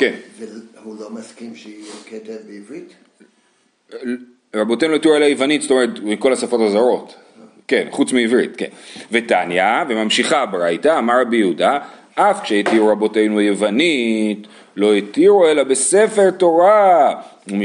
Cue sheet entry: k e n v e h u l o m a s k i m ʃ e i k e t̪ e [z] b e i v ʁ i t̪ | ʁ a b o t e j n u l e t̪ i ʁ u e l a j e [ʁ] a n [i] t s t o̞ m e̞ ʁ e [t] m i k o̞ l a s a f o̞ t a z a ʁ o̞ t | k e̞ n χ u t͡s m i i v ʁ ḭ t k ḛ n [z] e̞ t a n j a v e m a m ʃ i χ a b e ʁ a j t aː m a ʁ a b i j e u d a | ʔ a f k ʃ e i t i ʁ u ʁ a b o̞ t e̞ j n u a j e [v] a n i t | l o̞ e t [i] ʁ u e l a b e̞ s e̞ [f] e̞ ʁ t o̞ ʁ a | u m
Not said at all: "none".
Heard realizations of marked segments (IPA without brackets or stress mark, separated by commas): v, v, i, t, v, v, i, f